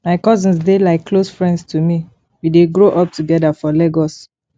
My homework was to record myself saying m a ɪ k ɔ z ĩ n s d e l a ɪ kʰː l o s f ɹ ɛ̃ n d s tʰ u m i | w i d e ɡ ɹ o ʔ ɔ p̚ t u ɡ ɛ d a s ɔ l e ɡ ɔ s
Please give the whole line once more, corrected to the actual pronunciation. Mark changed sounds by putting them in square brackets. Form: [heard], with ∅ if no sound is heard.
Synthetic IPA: m a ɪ k ɔ z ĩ n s d e l a ɪ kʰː l o s f ɹ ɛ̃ n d s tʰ u m i | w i d e ɡ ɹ o ʔ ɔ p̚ t u ɡ ɛ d a [f] ɔ l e ɡ ɔ s

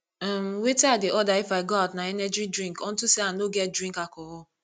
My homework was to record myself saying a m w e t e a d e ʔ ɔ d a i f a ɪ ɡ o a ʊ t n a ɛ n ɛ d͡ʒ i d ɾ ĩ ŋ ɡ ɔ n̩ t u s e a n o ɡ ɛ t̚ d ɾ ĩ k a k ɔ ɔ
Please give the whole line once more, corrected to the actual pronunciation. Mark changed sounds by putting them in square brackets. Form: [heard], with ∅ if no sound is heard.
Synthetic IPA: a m w e t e a d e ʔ ɔ d a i f a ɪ ɡ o a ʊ t n a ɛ n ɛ d͡ʒ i d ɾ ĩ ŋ [k] ɔ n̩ t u s e a n o ɡ ɛ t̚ d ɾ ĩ k a k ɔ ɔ

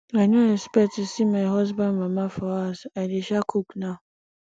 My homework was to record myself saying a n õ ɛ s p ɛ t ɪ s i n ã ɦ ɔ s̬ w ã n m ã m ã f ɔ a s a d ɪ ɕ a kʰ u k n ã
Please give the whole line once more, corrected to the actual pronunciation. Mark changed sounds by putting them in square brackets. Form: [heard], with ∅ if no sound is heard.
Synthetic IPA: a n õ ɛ s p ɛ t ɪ s i [m] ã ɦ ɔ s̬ [b] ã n m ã m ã f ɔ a s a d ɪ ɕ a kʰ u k n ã

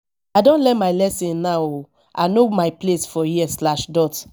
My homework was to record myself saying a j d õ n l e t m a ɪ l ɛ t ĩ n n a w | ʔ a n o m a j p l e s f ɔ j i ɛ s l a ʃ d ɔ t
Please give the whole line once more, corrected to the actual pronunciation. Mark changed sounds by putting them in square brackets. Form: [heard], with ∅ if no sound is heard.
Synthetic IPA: a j d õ n l [ɛ] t m a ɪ l ɛ [s] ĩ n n a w | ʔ a n o m a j p l e s f ɔ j i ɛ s l a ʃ d ɔ t

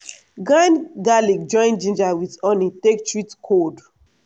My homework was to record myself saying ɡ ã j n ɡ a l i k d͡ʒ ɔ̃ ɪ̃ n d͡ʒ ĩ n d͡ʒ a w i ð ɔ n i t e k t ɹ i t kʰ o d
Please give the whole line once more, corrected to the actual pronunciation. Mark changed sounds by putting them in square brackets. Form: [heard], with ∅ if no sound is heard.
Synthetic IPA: ɡ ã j n ɡ a l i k d͡ʒ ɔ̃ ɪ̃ n d͡ʒ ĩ n d͡ʒ a w i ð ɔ n i t e k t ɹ i t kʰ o d

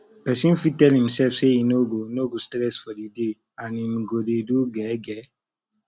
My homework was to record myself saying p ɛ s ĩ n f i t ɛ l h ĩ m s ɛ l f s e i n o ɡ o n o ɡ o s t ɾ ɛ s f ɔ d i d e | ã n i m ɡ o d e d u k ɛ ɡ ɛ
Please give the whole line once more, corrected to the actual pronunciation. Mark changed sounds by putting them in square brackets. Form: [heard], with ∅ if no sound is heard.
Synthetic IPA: p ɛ s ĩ n f i t ɛ l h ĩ m s ɛ l f s e i n o ɡ o n o ɡ o s t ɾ ɛ s f ɔ d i d e | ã n i m ɡ o d e d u [ɡ] ɛ ɡ ɛ

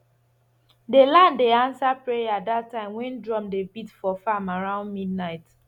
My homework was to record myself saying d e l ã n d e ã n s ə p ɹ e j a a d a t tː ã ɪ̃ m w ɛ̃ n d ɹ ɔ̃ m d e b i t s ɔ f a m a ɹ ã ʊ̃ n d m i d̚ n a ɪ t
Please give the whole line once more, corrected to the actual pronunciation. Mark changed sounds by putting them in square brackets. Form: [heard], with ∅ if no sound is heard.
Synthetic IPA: d e l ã n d e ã n s [a] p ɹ e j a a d a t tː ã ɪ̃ m w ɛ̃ n d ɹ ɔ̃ m d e b i t [f] ɔ f a m a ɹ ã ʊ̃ n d m i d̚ n a ɪ t

